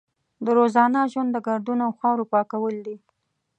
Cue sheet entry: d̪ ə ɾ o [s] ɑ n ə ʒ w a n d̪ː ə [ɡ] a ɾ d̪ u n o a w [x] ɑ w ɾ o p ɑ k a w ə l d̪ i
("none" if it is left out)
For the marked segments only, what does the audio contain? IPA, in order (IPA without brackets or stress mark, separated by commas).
z, ɡ, x